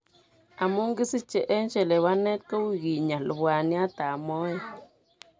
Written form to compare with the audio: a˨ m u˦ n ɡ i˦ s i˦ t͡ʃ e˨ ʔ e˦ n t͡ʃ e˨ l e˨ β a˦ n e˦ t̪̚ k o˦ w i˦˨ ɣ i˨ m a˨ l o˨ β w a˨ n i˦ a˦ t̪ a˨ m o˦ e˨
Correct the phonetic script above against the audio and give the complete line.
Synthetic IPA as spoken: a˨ m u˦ ŋ ɡ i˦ s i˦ t͡ʃ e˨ ʔ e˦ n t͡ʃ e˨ l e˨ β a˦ n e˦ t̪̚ k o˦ w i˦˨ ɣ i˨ ɲ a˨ l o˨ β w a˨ n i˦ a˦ t̪ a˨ m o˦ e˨